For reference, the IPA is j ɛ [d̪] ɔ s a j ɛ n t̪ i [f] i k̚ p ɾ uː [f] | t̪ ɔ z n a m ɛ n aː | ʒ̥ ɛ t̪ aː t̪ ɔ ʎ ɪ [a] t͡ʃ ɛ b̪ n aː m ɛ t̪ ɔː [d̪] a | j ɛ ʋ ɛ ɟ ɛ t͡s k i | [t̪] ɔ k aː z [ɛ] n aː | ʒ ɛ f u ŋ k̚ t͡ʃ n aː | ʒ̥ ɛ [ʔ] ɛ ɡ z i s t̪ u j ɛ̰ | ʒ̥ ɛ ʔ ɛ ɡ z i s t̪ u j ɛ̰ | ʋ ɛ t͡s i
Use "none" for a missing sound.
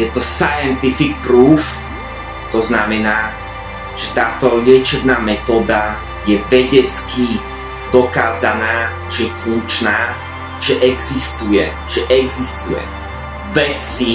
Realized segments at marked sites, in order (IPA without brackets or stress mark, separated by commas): t̪, f, f, ɛ, d̪, d̪, a, ʔ